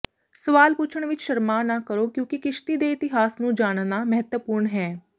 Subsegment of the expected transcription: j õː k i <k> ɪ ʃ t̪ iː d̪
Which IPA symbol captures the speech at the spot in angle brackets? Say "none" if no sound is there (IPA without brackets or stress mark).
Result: k